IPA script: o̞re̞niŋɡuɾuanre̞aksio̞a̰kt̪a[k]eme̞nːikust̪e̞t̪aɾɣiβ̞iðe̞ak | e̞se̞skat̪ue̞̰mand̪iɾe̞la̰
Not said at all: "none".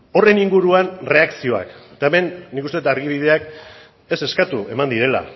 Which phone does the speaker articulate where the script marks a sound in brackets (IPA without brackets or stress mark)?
none